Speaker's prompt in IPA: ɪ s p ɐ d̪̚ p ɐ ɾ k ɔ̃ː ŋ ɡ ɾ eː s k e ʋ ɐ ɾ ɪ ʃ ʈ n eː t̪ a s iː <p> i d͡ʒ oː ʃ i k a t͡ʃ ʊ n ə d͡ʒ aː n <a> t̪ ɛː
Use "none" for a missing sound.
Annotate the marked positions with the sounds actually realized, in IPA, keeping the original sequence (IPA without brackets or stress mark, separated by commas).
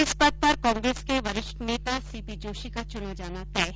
p, a